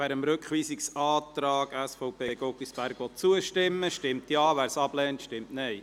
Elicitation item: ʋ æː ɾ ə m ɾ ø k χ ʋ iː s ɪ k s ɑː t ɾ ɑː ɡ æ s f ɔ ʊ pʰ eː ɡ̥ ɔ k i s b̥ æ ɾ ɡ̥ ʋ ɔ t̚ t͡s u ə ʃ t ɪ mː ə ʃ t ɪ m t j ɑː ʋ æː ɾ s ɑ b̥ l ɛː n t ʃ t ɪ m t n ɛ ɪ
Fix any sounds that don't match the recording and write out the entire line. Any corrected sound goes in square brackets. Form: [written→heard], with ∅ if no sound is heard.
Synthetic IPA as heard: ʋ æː ɾ ə m ɾ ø k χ ʋ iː s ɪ k s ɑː t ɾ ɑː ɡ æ s f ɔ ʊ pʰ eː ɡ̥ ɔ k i s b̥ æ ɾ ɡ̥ ʋ ɔ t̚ t͡s u ə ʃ t ɪ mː ə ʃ t ɪ m t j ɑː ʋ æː ɾ s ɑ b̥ l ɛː n t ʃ t ɪ m t n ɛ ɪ